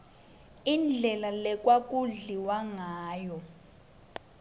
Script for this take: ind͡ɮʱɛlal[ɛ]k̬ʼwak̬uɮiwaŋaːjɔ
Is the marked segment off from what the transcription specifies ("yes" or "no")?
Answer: no